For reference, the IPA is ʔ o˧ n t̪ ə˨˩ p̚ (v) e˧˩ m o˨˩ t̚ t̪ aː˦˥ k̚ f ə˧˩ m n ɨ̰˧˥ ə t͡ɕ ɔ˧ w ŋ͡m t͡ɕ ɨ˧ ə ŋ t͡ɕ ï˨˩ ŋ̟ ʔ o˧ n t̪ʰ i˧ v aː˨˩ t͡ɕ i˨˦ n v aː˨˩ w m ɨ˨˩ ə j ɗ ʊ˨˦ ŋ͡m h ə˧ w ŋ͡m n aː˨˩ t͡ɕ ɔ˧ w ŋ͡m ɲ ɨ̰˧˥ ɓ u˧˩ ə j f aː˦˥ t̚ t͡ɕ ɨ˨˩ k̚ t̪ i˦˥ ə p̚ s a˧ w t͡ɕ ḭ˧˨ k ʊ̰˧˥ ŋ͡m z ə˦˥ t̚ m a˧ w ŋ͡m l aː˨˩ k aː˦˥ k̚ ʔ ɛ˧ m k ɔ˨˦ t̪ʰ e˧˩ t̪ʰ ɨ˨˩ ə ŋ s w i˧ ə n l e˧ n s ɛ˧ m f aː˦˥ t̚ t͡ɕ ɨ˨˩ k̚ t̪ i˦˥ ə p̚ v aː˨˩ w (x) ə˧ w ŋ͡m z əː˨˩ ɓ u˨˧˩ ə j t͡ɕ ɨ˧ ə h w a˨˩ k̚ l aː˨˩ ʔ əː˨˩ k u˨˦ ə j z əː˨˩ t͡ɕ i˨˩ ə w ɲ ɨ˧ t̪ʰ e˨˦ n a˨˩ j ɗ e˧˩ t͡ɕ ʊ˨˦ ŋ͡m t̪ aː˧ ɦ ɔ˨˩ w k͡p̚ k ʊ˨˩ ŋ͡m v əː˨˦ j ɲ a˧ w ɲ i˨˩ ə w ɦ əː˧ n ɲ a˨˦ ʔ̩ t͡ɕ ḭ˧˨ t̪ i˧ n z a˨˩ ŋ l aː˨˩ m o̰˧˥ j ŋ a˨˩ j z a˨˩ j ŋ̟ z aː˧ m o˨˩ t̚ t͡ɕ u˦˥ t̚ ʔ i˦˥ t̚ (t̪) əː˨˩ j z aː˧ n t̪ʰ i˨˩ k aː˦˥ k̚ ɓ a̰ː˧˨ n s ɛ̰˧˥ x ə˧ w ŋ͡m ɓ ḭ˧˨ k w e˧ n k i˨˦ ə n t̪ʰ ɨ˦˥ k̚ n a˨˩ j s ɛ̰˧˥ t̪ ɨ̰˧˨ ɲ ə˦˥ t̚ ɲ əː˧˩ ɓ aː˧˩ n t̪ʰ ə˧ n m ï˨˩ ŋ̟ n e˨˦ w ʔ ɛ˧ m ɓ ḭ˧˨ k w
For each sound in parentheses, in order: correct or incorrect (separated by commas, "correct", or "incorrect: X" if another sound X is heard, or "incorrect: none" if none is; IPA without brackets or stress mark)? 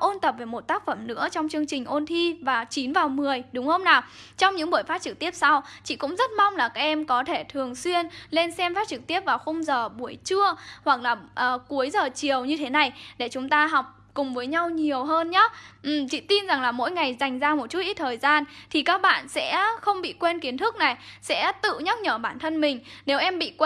correct, correct, incorrect: t̪ʰ